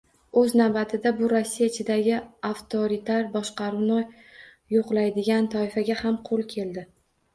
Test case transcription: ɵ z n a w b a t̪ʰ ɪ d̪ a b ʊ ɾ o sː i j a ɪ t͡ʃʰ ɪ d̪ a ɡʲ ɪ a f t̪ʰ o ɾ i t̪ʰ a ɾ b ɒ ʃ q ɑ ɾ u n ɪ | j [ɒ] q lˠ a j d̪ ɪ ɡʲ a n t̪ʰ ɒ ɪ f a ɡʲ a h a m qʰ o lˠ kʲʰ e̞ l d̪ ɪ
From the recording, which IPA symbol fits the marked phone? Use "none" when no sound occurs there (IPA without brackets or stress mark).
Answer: o